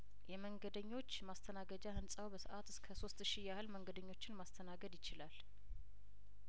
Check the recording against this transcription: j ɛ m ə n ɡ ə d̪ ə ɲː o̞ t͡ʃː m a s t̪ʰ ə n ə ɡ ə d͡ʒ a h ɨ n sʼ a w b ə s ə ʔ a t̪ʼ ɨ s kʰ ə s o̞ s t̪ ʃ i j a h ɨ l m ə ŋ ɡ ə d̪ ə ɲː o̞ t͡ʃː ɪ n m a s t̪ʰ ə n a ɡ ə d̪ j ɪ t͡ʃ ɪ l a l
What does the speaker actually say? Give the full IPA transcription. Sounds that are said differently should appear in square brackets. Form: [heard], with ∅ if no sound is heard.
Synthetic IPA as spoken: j ɛ m ə [ŋ] ɡ ə d̪ ə ɲː o̞ t͡ʃː m a s t̪ʰ ə n [a] ɡ ə d͡ʒ a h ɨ n sʼ a w b ə s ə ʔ a [t̪] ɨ s kʰ ə s o̞ s t̪ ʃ i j a h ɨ l m ə ŋ ɡ ə d̪ ə ɲː o̞ t͡ʃː ɪ n m a s t̪ʰ ə n a ɡ ə d̪ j ɪ t͡ʃ ɪ l a l